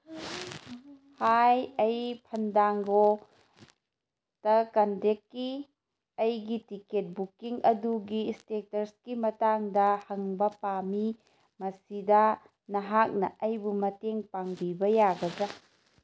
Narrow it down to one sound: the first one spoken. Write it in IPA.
h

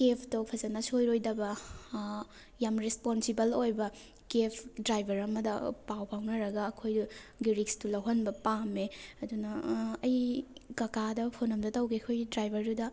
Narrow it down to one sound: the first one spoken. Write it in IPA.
k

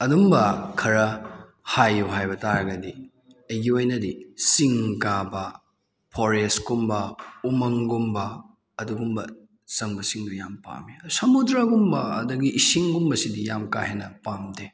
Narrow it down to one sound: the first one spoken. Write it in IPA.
ɐ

